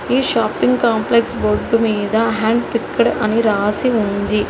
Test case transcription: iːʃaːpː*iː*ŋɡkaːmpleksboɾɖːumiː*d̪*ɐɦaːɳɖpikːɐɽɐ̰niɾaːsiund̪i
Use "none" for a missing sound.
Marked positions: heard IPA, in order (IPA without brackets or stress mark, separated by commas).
i, d̪